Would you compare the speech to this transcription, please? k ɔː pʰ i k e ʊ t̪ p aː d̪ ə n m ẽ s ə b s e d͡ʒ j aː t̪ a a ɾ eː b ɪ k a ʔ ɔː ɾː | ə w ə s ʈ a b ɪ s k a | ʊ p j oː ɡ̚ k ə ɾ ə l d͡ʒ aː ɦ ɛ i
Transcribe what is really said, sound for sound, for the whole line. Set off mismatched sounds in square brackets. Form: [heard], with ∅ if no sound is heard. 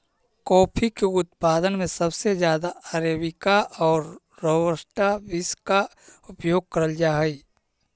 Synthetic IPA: k ɔː pʰ i k e ʊ t̪ p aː d̪ ə n m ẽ s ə b s e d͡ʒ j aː [d̪] a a ɾ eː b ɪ k a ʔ ɔː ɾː | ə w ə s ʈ a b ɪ s k a | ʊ p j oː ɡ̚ k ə ɾ ə l d͡ʒ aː ɦ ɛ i